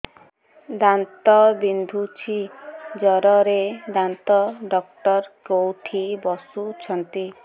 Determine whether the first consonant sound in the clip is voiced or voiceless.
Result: voiced